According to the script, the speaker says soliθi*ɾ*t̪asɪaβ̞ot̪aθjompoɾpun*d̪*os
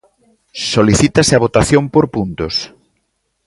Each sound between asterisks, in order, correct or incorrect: incorrect: none, incorrect: t̪

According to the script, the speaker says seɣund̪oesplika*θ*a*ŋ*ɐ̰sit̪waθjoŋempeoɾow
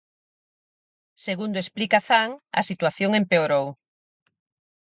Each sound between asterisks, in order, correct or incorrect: correct, correct

